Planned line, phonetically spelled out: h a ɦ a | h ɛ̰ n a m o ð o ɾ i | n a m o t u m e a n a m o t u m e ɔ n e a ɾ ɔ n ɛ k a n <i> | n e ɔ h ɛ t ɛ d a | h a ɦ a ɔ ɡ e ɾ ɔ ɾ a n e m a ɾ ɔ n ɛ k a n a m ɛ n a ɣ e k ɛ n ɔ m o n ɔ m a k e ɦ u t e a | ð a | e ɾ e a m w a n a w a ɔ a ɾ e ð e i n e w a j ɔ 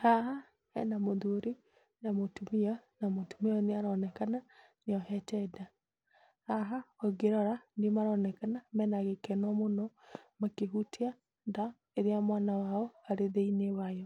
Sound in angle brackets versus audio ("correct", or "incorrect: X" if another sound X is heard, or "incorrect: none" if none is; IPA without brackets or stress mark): incorrect: a